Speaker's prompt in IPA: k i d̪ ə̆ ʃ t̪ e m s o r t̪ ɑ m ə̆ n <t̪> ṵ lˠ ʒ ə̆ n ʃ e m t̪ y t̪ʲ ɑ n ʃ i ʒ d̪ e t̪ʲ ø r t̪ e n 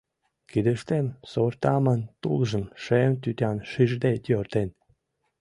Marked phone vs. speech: correct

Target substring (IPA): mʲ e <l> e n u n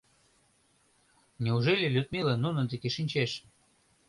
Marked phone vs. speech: correct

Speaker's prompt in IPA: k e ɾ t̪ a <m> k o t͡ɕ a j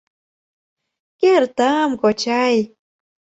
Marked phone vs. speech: correct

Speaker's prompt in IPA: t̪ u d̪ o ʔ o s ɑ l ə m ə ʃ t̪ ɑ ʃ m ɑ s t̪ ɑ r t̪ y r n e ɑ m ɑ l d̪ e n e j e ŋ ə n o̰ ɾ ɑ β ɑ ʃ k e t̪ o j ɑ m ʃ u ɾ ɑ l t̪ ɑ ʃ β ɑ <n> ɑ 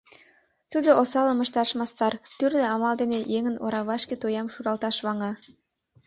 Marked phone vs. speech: incorrect: ŋ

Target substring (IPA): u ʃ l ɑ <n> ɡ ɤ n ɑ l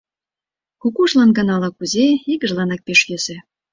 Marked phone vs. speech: correct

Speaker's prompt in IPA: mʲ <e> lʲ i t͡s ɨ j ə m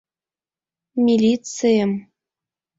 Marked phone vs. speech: incorrect: i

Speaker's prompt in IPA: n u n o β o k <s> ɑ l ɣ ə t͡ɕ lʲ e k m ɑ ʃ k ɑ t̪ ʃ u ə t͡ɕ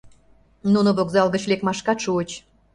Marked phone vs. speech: incorrect: z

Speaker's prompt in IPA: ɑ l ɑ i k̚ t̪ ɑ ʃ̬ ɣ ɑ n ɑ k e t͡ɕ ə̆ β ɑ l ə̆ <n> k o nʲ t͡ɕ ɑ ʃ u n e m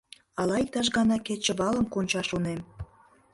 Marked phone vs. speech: incorrect: m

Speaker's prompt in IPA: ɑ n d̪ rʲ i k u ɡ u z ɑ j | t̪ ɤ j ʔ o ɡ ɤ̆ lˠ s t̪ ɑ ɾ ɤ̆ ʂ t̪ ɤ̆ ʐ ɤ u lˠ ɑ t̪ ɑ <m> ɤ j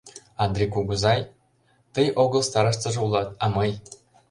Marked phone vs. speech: correct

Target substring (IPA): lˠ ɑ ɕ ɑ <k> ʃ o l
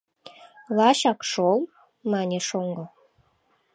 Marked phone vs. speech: correct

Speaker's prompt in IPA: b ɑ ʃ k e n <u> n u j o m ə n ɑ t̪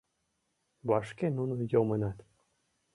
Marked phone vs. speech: correct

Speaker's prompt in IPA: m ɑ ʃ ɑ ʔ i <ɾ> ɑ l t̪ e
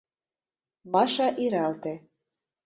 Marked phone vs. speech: correct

